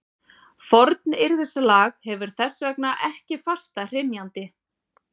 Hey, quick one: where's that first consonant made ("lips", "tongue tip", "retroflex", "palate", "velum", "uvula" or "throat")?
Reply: lips